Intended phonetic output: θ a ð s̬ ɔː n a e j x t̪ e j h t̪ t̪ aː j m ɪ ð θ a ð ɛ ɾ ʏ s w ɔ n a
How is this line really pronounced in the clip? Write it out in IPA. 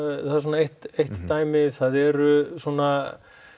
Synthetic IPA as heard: θ a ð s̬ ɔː n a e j h t̪ e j h t̪ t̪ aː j m ɪ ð θ a ð ɛ ɾ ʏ s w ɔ n a